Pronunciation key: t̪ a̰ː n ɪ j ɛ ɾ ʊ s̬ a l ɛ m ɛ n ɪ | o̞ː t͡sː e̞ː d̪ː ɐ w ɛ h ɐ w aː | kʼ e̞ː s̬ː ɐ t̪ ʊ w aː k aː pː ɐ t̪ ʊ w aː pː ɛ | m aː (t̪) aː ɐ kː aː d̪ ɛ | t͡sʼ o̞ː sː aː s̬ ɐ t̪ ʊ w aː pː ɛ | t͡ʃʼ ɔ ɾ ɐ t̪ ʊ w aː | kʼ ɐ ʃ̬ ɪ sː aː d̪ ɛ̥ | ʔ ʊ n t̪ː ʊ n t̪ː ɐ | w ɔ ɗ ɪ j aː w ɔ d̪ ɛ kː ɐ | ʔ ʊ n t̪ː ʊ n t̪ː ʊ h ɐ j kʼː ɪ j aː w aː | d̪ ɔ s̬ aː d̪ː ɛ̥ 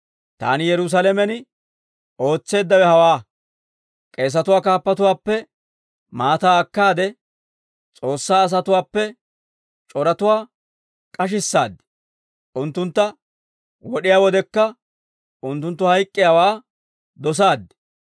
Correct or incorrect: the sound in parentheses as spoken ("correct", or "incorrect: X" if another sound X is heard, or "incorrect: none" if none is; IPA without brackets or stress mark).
correct